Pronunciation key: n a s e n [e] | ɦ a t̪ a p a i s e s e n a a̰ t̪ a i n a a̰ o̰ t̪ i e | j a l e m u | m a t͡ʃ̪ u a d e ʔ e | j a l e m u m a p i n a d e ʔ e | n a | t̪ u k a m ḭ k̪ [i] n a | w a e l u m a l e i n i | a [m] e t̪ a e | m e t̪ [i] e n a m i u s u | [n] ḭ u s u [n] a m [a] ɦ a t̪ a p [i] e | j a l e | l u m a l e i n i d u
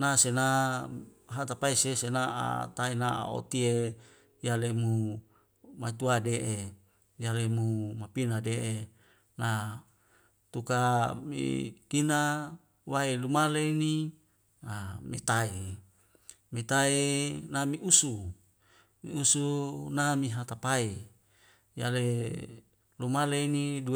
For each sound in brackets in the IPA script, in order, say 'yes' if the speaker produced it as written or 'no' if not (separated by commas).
no, yes, yes, no, no, yes, no, no